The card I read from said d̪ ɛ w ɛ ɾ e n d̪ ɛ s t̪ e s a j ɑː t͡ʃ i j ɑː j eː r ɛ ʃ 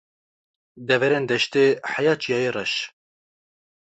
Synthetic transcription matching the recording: d̪ ɛ v ɛ ɾ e n d̪ ɛ ʃ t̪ e ħ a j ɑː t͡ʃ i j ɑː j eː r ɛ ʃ